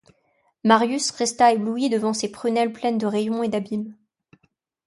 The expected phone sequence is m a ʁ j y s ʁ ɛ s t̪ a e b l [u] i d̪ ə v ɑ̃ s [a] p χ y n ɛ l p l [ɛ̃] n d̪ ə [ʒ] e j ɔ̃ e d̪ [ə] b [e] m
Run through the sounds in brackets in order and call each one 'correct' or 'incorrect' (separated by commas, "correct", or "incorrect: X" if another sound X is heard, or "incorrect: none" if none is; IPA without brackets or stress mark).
correct, incorrect: e, incorrect: ɛ, incorrect: ʁ, incorrect: a, incorrect: i